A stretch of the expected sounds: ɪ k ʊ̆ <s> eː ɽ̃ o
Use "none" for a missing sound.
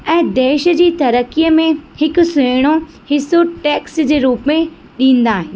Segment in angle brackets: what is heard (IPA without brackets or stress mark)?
s